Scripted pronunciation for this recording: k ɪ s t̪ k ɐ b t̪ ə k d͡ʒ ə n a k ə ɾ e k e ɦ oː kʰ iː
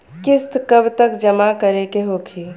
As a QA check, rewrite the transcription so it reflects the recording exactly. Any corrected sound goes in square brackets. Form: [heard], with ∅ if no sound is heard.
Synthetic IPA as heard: k ɪ s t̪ k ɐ b t̪ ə k d͡ʒ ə [m] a k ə ɾ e k e ɦ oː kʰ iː